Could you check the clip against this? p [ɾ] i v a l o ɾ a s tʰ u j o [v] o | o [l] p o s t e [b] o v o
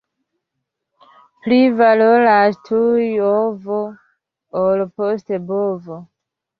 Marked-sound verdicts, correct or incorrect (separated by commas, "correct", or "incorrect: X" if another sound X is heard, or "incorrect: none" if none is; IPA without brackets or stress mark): incorrect: l, correct, correct, correct